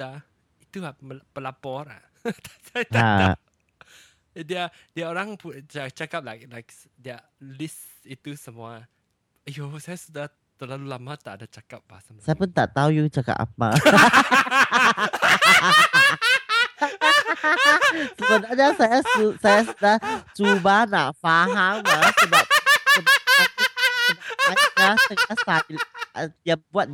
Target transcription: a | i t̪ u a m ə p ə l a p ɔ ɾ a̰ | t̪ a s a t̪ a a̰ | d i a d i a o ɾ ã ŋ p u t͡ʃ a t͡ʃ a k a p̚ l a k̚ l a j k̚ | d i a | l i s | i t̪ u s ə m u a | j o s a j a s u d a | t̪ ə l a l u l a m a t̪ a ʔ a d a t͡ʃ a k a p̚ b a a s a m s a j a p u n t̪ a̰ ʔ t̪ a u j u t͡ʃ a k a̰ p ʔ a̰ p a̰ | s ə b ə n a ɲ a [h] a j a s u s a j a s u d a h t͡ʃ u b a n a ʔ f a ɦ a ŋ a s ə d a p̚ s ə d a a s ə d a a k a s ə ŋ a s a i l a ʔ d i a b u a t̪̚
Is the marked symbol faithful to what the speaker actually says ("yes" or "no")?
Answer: no